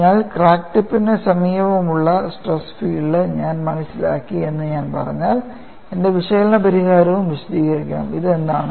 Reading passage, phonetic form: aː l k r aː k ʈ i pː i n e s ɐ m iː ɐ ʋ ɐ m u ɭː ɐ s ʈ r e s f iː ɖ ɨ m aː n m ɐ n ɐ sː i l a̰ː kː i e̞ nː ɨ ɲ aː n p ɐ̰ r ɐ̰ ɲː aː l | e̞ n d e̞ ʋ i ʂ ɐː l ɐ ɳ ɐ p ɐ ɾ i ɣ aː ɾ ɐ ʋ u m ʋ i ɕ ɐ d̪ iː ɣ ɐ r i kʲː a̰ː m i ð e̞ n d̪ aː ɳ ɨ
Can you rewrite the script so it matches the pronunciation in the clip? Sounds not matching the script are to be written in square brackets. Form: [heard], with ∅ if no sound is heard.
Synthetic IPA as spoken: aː l k r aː k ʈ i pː i n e s ɐ m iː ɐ ʋ ɐ m u ɭː ɐ s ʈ r e s f iː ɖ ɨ [ɲ] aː n m ɐ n ɐ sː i l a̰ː kː i e̞ nː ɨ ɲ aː n p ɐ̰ r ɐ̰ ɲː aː l | e̞ n d e̞ ʋ i ʂ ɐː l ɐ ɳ ɐ p ɐ ɾ i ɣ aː ɾ ɐ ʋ u m ʋ i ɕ ɐ d̪ iː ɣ ɐ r i kʲː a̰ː m i ð e̞ n d̪ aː ɳ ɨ